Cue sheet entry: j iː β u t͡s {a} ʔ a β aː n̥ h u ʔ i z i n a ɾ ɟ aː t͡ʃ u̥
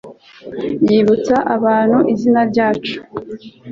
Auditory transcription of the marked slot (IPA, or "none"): a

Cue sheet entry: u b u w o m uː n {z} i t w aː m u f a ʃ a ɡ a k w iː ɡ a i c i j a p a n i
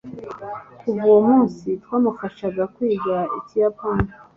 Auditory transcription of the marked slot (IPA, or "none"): s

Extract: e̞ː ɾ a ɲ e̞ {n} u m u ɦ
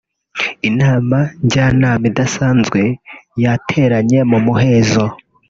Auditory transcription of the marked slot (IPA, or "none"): m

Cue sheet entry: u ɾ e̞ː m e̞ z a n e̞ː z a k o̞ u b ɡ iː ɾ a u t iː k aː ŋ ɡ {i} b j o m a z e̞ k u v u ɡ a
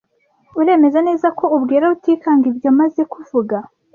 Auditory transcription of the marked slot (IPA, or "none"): i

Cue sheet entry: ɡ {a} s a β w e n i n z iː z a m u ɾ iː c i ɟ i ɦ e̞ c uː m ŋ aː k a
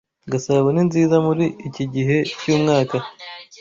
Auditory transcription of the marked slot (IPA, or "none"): a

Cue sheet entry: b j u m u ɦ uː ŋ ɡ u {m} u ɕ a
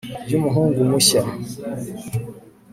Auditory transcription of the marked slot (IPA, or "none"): m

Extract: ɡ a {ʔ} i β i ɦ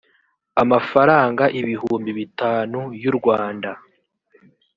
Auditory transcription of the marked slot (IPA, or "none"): ʔ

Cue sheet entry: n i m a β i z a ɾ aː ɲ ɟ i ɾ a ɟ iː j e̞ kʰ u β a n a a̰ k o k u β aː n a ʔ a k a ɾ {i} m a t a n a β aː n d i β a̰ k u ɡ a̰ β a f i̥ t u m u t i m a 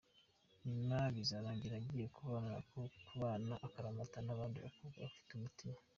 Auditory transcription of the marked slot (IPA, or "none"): a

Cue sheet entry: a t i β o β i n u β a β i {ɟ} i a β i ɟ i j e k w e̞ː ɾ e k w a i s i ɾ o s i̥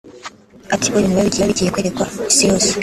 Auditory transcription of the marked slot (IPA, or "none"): ɟ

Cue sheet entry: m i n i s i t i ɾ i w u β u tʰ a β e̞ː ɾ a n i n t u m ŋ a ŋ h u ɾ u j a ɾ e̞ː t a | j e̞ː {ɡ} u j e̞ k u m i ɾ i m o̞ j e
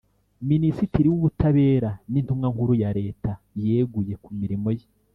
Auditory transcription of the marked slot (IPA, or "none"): ɡ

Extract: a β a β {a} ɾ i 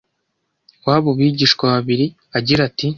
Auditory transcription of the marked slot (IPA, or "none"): i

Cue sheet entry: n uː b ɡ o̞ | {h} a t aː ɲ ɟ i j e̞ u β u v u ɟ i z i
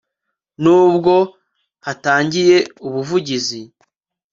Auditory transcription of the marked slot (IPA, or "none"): h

